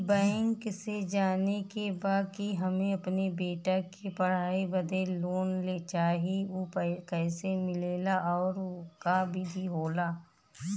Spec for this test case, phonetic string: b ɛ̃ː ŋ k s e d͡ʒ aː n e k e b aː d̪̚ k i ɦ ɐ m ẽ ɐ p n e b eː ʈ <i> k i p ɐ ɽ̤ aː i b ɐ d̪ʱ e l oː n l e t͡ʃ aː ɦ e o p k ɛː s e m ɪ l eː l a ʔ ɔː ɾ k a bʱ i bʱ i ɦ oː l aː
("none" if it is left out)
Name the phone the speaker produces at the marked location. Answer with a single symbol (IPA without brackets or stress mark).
a